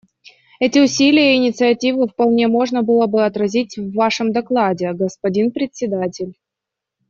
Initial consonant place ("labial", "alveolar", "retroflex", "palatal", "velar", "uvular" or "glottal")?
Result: alveolar